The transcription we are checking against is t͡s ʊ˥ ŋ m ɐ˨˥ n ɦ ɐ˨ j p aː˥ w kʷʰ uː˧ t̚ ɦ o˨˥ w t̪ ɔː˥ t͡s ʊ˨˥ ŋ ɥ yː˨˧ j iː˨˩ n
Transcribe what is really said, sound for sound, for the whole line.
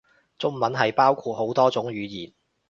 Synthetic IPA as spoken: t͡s ʊ˥ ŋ m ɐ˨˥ n ɦ ɐ˨ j p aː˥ w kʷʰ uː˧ t̚ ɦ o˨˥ w t̪ ɔː˥ t͡s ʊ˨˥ ŋ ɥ yː˨˧ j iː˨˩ n